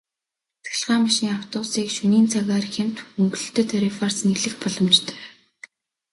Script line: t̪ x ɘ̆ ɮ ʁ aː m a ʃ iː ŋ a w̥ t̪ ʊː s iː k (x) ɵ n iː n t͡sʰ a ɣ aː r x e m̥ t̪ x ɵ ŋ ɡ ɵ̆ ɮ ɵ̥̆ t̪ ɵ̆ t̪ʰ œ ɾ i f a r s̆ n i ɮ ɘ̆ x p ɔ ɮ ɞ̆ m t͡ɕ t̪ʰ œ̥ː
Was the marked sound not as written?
yes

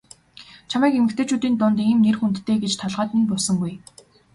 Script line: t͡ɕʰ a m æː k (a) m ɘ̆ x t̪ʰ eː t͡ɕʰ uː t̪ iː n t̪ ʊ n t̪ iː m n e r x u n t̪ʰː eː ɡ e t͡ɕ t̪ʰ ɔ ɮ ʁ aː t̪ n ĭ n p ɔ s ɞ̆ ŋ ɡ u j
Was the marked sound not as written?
yes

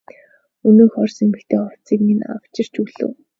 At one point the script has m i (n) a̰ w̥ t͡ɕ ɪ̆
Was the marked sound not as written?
no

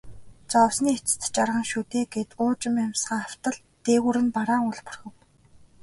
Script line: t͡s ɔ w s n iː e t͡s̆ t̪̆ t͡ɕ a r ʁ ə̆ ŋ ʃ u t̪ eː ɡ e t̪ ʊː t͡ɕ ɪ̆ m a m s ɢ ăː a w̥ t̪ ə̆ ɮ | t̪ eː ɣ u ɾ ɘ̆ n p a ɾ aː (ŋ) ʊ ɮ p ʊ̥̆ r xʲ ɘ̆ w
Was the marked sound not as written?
no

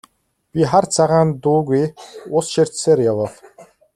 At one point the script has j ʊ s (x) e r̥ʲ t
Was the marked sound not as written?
yes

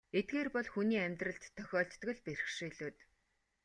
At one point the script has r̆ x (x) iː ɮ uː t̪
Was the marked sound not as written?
yes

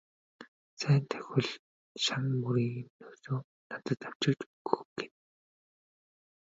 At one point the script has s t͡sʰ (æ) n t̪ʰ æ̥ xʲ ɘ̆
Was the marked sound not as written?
yes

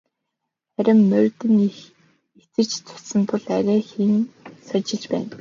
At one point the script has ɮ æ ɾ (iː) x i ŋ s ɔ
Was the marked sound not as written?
yes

